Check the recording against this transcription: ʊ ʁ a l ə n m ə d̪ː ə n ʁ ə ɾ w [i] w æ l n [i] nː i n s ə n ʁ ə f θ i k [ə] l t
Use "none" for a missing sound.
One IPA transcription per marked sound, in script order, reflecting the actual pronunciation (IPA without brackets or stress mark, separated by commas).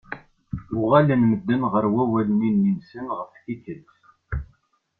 æ, i, ə